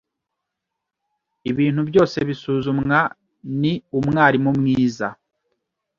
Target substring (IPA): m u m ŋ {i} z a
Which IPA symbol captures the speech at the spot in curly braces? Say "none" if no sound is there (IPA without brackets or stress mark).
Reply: iː